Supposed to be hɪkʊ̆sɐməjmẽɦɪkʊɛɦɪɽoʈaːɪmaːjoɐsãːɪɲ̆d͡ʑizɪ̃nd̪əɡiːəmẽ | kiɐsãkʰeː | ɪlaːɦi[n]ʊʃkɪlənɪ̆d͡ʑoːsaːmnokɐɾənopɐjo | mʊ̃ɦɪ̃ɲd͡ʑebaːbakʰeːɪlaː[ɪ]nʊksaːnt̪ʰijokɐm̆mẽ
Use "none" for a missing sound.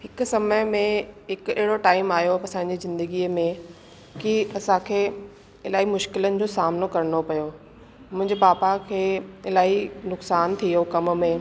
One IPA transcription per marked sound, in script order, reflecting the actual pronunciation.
m, i

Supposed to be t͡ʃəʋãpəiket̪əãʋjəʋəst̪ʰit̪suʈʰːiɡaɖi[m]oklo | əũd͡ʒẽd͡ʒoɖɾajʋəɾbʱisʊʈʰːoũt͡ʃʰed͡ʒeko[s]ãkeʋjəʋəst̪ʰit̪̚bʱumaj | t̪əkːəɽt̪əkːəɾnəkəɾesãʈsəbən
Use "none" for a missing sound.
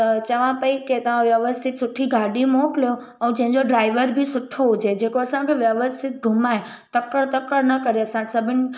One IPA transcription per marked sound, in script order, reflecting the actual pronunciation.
m, s

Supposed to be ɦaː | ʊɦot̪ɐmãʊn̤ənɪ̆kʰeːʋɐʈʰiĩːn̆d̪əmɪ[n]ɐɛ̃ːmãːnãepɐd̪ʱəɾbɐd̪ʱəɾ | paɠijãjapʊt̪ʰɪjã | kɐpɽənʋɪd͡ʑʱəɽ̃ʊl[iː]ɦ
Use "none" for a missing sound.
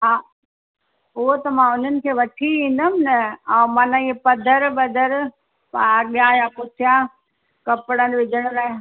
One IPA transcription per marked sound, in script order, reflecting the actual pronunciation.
n, aː

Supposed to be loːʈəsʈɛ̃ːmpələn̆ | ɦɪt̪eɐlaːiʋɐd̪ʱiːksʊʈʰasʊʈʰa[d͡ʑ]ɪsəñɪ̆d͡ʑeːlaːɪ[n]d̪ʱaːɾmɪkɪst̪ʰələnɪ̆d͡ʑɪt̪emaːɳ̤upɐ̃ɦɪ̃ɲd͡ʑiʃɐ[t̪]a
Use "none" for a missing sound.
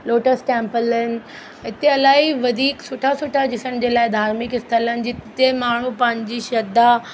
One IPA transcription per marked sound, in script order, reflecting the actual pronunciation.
d͡ʑ, none, d̪

